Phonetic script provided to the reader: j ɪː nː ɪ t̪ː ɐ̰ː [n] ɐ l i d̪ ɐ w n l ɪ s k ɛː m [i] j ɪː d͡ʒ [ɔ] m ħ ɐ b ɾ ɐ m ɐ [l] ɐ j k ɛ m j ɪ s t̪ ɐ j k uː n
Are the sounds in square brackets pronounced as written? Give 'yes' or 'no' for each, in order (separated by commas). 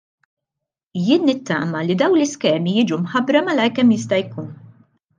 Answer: no, yes, no, yes